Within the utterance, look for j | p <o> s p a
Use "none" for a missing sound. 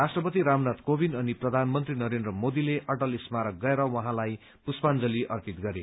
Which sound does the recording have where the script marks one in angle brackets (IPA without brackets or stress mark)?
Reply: u